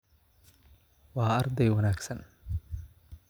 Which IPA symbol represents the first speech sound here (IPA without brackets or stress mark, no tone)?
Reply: w